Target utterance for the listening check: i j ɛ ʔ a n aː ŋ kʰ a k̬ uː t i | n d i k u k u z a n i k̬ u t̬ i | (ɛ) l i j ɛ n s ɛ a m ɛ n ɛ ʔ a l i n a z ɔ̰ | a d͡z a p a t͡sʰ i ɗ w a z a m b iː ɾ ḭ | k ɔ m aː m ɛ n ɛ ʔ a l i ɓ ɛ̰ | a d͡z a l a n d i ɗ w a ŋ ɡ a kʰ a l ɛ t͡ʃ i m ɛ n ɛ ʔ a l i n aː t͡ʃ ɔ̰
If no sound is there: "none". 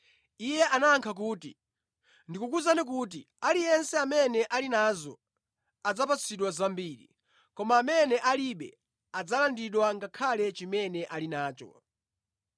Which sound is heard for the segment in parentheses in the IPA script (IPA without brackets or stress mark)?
a